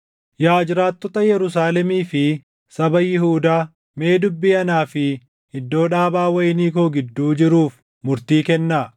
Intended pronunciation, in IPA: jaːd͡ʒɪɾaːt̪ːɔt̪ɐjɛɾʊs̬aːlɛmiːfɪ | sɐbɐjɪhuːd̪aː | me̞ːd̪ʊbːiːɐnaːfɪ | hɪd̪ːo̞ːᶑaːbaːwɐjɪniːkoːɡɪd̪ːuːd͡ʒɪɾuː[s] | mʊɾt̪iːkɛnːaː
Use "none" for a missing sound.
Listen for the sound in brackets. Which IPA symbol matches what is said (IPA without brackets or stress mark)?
f